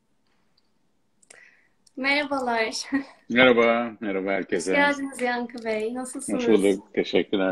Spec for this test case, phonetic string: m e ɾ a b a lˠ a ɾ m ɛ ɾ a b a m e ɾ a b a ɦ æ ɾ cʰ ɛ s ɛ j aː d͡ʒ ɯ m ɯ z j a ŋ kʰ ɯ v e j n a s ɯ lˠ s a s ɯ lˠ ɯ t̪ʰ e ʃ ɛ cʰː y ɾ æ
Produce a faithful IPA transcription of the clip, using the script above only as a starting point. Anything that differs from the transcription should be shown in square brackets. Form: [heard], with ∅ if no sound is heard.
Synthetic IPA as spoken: m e ɾ a b a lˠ a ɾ m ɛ ɾ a b a m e ɾ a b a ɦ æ ɾ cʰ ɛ s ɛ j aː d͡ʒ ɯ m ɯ z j a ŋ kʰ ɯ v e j n a s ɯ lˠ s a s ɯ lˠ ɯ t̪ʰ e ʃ ɛ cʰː y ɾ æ

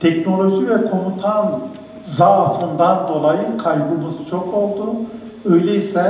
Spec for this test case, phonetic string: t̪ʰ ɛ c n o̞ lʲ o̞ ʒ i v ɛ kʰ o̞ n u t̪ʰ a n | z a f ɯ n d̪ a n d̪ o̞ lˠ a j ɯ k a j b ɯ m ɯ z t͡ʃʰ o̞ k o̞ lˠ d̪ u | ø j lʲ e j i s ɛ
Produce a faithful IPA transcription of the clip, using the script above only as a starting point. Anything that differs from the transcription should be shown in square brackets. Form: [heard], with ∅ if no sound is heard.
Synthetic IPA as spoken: t̪ʰ ɛ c n o̞ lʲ o̞ ʒ i v ɛ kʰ o̞ n u t̪ʰ a n | z a f ɯ n d̪ a n d̪ o̞ lˠ a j ɯ [kʰ] a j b ɯ m ɯ z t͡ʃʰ o̞ k o̞ lˠ d̪ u | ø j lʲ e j i s ɛ

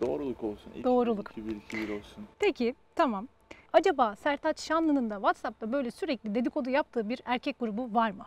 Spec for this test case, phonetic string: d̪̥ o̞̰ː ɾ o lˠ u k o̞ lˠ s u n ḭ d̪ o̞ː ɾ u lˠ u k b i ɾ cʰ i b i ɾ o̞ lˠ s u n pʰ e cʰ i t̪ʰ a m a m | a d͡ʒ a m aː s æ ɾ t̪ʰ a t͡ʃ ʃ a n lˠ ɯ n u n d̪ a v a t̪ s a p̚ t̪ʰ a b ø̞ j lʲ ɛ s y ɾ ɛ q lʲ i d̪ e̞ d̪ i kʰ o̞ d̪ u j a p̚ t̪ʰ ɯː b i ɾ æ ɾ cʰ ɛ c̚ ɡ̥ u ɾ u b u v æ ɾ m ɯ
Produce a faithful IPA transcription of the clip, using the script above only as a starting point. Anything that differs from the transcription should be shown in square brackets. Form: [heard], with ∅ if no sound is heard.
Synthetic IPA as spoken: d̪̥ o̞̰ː ɾ [u] lˠ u k o̞ lˠ s u n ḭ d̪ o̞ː ɾ u lˠ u k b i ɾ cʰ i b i ɾ o̞ lˠ s u n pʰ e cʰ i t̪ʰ a m a m | a d͡ʒ a [b] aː s æ ɾ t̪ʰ a t͡ʃ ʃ a n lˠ ɯ n [ɯ] n d̪ a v a t̪ s a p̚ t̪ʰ a b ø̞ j lʲ ɛ s y ɾ ɛ [c] lʲ i d̪ e̞ d̪ i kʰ o̞ d̪ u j a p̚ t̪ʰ ɯː b i ɾ æ ɾ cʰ ɛ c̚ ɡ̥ u ɾ u b u v [a] ɾ m ɯ

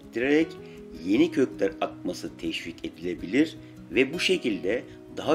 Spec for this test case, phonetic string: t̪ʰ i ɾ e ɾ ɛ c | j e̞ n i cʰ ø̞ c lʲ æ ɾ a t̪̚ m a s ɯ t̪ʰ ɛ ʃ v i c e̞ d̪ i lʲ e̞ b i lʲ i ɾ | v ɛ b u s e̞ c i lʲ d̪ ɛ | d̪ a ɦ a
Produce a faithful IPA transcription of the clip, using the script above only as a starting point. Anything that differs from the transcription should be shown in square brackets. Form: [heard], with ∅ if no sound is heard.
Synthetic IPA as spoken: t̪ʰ i ɾ e ɾ ɛ c | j e̞ n i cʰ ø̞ c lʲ æ ɾ a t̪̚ m a s ɯ t̪ʰ ɛ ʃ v i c e̞ d̪ i lʲ e̞ b i lʲ i ɾ | v ɛ b u [ʃ] e̞ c i lʲ d̪ ɛ | d̪ a ɦ a

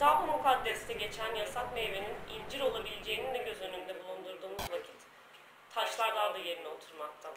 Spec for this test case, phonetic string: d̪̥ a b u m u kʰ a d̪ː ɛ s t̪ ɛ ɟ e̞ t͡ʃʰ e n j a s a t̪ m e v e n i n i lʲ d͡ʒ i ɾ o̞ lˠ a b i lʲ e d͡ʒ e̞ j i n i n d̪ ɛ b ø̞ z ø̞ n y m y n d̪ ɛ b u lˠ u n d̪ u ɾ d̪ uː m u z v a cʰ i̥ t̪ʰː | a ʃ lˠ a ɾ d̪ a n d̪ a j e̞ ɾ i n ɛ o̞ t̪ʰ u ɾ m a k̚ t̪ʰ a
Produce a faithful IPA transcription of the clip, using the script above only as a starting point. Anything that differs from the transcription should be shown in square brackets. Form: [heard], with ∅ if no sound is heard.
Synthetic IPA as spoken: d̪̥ a b u m u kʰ a d̪ː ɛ s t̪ ɛ ɟ e̞ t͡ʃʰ [æ] n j a s a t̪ m e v e n i n i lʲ d͡ʒ i ɾ o̞ lˠ a b i lʲ e d͡ʒ e̞ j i n i n d̪ ɛ [ɟ] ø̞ z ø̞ n y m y n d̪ ɛ b u lˠ u n d̪ u ɾ d̪ uː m u z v a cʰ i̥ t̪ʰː | a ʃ lˠ a ɾ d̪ a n d̪ a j e̞ ɾ i n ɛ o̞ t̪ʰ u ɾ m a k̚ t̪ʰ a

